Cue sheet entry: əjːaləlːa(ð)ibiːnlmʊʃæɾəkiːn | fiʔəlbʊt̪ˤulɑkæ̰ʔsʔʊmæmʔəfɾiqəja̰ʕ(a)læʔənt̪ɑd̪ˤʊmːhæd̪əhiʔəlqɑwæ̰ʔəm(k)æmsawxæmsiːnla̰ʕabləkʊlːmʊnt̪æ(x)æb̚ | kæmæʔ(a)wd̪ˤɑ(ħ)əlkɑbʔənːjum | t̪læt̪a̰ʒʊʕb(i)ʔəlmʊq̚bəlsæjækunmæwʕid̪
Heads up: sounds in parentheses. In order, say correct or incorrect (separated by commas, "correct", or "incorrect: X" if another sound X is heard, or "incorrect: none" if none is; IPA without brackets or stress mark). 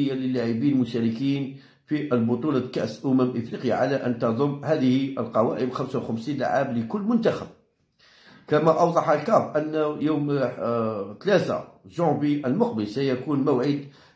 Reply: incorrect: ʕ, correct, incorrect: x, correct, incorrect: ɑ, correct, correct